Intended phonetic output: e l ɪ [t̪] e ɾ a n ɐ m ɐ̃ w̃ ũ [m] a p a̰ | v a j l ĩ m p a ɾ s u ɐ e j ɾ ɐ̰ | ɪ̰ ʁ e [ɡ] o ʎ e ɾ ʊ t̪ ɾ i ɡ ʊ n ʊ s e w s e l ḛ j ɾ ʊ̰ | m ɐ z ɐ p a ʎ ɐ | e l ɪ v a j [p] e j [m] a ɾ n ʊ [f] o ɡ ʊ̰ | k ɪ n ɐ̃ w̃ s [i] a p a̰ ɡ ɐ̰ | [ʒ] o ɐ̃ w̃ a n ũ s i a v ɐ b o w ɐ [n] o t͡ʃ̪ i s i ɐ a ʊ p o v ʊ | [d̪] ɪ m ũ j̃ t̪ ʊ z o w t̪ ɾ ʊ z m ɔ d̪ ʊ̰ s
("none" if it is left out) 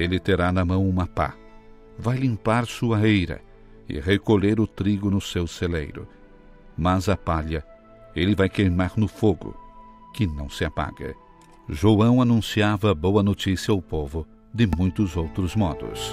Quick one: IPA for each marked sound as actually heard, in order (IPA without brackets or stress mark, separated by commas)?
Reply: t̪, m, k, k, m, f, ɪ, ʒ, n, d̪